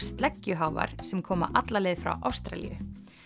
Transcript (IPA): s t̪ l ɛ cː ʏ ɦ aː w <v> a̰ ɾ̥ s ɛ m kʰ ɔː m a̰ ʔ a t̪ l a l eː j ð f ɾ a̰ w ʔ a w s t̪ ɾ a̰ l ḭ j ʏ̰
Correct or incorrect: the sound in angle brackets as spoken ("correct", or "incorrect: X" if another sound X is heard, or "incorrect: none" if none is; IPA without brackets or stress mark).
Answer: correct